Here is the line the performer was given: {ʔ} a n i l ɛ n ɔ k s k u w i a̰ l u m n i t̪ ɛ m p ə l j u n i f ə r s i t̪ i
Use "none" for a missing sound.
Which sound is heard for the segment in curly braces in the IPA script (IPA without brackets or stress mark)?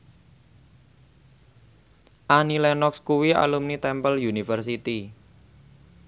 ʔ